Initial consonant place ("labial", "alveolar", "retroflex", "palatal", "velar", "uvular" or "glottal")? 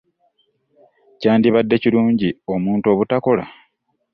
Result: palatal